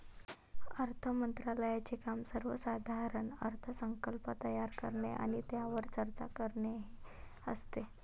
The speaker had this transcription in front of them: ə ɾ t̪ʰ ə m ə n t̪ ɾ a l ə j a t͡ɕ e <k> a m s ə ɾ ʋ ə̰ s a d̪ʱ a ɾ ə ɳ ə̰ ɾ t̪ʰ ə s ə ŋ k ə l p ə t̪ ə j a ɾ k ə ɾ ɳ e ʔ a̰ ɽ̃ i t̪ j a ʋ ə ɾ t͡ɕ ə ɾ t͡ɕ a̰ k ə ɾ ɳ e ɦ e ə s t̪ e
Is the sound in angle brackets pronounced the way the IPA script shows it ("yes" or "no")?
yes